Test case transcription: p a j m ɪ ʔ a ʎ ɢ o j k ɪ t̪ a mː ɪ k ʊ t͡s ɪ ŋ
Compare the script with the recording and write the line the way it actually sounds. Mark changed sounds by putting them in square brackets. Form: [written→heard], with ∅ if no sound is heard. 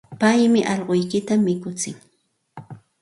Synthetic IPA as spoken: p a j m ɪ ʔ [a→ɑ] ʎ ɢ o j k ɪ t̪ a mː ɪ k ʊ t͡s ɪ ŋ